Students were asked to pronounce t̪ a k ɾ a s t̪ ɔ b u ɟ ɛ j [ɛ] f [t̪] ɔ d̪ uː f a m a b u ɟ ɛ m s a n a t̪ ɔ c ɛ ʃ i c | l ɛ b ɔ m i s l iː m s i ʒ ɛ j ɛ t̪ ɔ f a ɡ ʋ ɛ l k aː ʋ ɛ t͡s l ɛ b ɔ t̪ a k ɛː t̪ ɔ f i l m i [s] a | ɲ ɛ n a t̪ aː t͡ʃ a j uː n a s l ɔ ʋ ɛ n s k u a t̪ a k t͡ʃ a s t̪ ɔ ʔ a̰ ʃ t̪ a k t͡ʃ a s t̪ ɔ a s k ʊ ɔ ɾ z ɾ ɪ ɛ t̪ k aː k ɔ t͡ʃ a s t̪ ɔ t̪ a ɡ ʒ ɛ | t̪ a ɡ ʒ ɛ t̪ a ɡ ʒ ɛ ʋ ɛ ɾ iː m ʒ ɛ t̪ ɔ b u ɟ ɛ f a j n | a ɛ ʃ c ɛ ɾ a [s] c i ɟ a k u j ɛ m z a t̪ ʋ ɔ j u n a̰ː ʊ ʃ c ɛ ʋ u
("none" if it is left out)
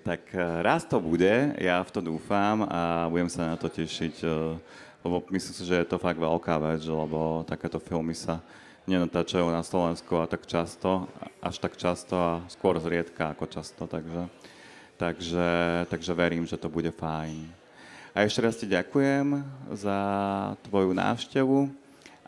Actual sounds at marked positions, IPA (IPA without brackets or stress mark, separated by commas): a, t̪, s, s